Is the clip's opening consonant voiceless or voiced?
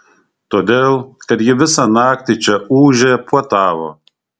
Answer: voiceless